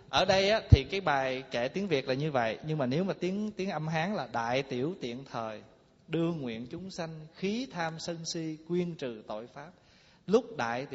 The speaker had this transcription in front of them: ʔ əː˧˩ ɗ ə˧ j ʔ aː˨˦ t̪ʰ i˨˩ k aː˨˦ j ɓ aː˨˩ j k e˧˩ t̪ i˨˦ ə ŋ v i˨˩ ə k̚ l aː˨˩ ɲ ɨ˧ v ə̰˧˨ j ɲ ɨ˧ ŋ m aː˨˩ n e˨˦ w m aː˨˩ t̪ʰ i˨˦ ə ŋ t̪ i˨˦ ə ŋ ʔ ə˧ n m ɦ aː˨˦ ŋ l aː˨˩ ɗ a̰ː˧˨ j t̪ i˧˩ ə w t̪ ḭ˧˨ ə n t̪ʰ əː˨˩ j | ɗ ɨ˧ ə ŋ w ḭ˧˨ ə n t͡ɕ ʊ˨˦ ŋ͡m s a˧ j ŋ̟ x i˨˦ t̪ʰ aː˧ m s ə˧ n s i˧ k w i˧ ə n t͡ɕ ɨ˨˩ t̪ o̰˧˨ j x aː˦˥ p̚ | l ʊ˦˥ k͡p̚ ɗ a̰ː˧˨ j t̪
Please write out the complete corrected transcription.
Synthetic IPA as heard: ʔ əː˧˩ ɗ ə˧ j ʔ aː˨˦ t̪ʰ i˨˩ k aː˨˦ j ɓ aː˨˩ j k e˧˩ t̪ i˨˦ ə ŋ v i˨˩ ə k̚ l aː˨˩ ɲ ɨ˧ v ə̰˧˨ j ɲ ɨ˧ ŋ m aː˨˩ n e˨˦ w m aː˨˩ t̪ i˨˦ ə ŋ t̪ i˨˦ ə ŋ ʔ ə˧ m ɦ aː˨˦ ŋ l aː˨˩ ɗ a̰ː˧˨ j t̪ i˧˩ ə w t̪ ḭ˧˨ ə n t̪ʰ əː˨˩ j | ɗ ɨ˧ ə ŋ w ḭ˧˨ ə n t͡ɕ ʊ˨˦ ŋ͡m s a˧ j ŋ̟ x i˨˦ t̪ʰ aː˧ m s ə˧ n s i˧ k w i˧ ə n t͡ɕ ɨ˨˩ t̪ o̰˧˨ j f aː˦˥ p̚ | l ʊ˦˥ k͡p̚ ɗ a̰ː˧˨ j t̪